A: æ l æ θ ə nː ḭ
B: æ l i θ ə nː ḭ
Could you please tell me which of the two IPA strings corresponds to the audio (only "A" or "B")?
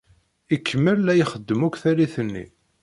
B